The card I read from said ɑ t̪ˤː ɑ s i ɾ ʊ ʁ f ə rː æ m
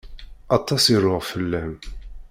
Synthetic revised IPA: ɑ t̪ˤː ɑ s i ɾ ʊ ʁ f ə lː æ m